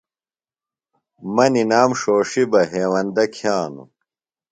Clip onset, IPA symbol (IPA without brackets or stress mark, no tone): m